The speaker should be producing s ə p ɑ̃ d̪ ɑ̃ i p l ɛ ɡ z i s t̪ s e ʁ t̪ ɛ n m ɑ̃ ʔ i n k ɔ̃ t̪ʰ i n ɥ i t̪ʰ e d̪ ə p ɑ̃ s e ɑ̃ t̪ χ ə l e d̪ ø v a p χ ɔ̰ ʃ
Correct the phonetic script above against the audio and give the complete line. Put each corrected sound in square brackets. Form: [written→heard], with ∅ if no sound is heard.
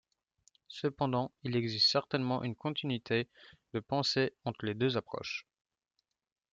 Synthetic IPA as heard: s ə p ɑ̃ d̪ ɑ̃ i [p→∅] l ɛ ɡ z i s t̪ s [e→ɛ] ʁ t̪ ɛ n m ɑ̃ ʔ [i→y] n k ɔ̃ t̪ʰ i n ɥ i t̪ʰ e d̪ ə p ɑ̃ s e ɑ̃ t̪ χ ə l e d̪ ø [v→z] a p χ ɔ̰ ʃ